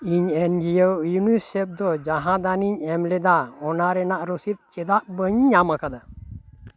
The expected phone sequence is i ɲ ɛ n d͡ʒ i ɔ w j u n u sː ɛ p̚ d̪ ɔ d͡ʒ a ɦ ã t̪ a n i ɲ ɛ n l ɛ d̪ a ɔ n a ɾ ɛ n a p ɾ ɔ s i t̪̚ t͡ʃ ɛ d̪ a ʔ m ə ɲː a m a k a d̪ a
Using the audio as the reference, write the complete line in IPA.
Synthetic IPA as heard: i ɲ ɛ n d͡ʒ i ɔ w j u n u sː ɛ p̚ d̪ ɔ d͡ʒ a ɦ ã d̪ a n i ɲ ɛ m l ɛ d̪ a ɔ n a ɾ ɛ n a ʔ ɾ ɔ s i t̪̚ t͡ʃ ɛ d̪ a ʔ b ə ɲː a m a k a d̪ a